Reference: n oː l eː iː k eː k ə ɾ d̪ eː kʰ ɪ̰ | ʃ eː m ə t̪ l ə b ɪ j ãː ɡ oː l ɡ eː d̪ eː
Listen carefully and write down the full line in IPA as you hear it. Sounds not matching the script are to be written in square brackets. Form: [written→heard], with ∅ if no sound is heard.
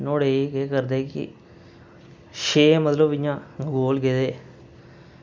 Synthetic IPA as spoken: n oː [l→ɽ] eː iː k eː k ə ɾ d̪ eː [kʰ→k] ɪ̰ | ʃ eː m ə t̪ l ə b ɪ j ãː ɡ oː l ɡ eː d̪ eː